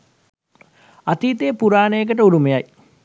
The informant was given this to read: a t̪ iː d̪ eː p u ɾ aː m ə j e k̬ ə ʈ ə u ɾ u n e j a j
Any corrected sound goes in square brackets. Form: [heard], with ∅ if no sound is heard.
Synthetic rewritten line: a t̪ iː [t̪] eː p u ɾ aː [n] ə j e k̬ ə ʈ ə u ɾ u [m] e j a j